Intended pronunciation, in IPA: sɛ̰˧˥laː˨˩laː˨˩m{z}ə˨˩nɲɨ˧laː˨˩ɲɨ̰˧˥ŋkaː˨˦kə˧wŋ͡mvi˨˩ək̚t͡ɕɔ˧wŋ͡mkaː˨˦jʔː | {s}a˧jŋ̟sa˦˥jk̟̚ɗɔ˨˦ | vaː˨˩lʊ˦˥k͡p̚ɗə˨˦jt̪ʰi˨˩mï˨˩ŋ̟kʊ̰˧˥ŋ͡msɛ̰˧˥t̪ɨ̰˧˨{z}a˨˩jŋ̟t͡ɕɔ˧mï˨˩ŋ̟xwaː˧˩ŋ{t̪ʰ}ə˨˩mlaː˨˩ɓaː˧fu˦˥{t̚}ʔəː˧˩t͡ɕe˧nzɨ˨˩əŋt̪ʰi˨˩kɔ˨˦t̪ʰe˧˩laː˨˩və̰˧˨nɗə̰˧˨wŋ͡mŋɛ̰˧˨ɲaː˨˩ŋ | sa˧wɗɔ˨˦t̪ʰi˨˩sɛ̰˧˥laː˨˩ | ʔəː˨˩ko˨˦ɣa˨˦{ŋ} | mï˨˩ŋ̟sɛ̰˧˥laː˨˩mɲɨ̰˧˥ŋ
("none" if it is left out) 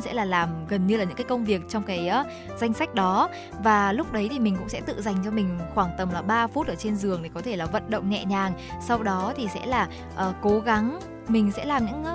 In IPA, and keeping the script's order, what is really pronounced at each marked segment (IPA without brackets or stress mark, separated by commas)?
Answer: ɣ, z, z, t̪, t̚, ŋ